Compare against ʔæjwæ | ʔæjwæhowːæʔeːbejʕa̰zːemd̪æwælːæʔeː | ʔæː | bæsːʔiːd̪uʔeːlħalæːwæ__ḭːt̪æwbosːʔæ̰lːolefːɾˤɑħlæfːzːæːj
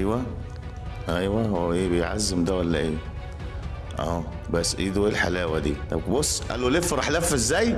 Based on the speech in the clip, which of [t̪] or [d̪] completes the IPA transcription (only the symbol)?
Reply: d̪